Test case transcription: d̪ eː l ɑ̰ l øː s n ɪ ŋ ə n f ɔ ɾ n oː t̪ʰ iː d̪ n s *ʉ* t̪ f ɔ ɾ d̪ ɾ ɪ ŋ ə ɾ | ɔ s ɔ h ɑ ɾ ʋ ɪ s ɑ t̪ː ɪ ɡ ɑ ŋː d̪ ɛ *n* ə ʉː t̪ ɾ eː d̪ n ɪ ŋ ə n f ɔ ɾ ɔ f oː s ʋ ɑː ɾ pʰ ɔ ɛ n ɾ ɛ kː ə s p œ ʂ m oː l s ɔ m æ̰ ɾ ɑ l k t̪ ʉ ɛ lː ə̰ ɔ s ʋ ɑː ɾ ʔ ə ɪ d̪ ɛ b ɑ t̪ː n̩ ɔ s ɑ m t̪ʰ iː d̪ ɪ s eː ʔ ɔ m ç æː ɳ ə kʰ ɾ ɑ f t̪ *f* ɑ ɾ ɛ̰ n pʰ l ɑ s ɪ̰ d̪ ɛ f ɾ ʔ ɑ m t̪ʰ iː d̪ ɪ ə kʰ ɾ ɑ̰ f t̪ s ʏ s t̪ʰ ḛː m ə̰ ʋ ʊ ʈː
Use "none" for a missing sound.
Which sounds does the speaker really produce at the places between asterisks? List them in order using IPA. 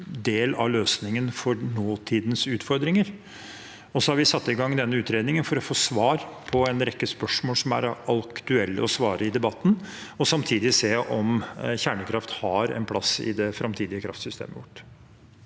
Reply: ʉː, nː, h

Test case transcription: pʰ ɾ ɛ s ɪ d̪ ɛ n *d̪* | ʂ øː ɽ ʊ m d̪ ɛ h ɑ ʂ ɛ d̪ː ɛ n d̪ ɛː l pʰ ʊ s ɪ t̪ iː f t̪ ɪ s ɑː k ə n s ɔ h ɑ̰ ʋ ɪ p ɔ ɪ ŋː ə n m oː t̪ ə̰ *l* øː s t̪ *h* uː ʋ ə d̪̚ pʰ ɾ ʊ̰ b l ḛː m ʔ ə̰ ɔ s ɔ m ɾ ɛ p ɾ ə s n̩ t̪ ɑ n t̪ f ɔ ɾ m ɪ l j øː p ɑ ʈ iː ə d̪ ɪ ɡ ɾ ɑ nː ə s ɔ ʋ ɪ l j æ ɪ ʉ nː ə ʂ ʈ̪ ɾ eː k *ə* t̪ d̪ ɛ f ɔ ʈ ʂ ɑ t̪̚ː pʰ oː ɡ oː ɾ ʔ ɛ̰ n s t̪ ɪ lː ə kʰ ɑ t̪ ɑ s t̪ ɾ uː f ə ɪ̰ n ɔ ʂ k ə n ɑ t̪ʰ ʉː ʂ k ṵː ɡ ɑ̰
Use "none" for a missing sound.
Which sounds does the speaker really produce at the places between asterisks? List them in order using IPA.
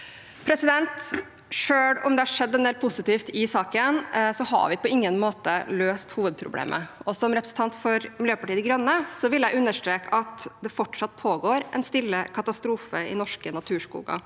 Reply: t̪, l, h, ɑ

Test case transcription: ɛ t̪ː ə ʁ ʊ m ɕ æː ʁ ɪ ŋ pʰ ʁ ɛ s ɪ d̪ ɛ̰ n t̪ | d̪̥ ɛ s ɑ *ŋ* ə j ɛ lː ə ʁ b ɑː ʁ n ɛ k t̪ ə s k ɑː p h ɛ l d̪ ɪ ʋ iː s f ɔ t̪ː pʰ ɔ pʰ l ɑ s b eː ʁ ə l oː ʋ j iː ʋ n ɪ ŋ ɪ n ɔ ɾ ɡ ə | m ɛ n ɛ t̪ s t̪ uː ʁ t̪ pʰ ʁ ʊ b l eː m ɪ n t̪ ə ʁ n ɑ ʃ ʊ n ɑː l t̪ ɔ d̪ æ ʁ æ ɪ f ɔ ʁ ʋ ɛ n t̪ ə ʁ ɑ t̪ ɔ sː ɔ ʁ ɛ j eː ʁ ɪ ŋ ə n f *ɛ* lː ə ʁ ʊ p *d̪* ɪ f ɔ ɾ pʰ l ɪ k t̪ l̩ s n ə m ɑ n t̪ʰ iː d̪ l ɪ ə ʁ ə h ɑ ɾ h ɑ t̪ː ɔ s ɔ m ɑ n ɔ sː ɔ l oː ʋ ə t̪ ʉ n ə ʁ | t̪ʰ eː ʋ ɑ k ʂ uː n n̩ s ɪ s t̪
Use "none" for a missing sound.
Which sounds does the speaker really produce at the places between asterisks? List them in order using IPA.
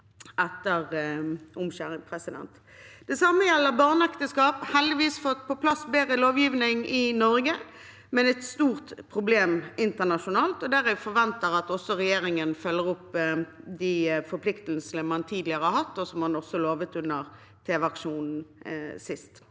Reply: m, œ, d̪

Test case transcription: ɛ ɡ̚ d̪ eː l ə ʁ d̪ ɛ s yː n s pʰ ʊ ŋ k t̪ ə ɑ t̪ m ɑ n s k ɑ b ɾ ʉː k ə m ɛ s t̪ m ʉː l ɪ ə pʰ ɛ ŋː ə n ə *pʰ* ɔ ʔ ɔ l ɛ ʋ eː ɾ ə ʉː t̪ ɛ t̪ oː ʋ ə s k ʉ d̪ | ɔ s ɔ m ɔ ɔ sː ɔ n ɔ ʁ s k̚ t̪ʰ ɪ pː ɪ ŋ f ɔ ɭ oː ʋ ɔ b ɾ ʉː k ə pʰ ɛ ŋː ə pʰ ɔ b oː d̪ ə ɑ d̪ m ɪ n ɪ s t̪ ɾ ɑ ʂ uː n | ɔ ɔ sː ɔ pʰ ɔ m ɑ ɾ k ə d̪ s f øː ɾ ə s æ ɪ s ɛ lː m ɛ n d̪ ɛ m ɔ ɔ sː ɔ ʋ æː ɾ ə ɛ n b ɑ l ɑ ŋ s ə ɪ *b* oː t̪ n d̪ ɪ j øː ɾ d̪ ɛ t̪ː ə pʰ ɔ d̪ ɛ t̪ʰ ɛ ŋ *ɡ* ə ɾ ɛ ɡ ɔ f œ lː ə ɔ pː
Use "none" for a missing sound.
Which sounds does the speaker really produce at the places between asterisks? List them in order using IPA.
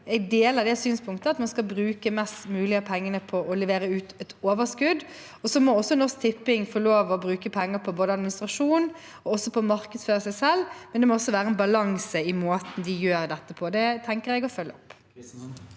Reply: pʰ, m, k

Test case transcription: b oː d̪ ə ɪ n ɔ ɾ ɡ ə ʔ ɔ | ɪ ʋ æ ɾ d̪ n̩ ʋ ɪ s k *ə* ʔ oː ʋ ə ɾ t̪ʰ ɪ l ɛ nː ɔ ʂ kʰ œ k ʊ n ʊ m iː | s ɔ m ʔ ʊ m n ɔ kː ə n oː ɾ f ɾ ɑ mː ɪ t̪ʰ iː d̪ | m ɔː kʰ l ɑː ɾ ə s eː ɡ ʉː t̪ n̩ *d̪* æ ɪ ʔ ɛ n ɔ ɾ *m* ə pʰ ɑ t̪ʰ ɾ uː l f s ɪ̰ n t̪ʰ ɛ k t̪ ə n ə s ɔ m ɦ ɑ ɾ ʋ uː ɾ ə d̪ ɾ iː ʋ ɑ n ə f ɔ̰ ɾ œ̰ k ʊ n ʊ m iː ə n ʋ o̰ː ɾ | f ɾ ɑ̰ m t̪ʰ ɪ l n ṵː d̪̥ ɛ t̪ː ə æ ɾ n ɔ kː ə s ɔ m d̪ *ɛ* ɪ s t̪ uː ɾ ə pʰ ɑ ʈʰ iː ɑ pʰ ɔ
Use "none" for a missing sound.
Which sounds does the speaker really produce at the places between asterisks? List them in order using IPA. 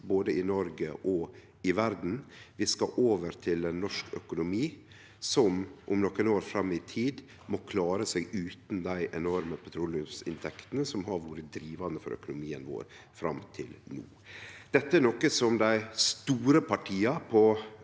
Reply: ɑ, d̪, m, æ

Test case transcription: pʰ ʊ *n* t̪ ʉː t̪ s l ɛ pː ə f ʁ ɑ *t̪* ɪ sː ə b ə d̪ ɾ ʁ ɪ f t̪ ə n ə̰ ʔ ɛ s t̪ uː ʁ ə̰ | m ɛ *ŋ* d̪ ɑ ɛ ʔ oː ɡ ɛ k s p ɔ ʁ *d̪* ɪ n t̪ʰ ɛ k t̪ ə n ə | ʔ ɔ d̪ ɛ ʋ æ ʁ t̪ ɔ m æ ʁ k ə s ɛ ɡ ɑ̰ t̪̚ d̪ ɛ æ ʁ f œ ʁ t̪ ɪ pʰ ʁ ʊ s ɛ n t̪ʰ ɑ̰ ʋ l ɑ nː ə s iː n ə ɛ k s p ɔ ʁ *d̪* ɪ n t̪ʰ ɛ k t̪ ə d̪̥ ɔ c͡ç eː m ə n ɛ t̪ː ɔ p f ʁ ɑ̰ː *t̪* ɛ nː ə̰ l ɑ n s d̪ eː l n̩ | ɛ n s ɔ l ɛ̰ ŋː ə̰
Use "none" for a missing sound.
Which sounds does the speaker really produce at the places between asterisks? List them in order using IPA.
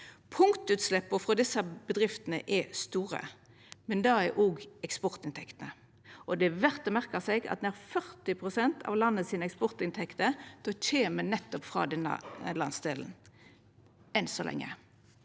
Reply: ŋ, d̪, n, t̪, t̪, d̪

